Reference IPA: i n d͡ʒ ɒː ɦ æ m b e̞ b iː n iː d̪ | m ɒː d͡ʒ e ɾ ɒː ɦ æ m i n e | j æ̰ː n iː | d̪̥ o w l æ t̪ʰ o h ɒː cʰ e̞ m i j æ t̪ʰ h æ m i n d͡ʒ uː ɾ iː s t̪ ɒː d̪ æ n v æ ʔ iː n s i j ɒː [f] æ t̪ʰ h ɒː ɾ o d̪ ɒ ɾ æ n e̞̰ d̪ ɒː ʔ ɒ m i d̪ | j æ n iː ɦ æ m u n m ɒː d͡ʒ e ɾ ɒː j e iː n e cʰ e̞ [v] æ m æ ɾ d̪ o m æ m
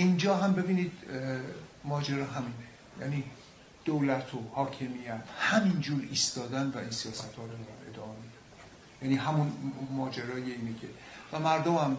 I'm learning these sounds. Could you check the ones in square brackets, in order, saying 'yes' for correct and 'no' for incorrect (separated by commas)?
no, yes